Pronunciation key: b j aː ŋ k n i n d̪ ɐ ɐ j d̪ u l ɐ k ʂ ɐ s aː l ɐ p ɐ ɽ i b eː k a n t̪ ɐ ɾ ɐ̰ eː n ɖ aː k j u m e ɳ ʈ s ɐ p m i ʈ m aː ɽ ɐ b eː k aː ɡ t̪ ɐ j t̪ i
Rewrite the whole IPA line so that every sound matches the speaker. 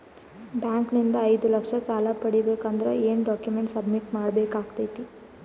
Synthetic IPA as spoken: b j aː ŋ k n i n d̪ ɐ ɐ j d̪ u l ɐ k ʂ ɐ s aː l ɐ p ɐ ɽ i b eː k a n d̪ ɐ ɾ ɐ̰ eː n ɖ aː k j u m e ɳ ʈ s ɐ b m i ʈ m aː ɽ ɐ b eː k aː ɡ t̪ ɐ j t̪ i